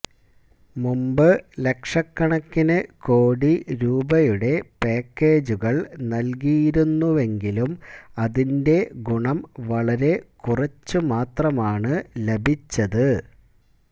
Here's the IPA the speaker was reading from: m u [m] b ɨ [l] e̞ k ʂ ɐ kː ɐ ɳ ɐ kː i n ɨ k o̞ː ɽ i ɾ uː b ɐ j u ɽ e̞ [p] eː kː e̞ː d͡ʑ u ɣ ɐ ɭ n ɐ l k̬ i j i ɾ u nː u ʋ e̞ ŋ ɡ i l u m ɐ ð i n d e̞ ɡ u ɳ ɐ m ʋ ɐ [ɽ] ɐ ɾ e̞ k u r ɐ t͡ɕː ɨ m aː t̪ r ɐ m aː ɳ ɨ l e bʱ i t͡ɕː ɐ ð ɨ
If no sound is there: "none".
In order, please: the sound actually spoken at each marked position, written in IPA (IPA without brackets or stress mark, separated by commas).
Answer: m, l, p, ɭ